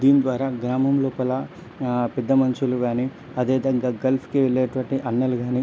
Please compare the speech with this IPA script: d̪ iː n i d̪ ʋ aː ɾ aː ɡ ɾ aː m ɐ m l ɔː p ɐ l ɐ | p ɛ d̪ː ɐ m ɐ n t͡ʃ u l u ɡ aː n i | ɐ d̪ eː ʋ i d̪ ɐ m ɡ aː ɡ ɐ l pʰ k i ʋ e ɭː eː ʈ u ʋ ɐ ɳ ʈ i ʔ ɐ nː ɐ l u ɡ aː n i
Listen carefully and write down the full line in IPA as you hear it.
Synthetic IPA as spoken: d̪ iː n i d̪ ʋ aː ɾ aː ɡ ɾ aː m ɐ m l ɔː p ɐ l ɐ | p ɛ d̪ː ɐ m ɐ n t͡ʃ u l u ɡ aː n i | ɐ d̪ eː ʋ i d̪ ɐ ŋ ɡ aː ɡ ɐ l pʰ k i ʋ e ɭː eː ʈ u ʋ ɐ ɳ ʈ i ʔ ɐ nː ɐ l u ɡ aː n i